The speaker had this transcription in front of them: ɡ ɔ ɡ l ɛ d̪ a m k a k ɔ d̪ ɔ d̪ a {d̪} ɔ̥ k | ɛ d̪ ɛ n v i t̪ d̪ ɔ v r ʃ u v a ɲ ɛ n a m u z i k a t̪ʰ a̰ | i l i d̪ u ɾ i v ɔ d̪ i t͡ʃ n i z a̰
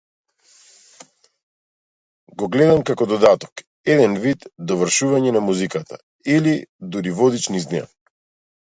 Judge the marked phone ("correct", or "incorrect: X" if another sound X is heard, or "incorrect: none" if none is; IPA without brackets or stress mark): incorrect: t̪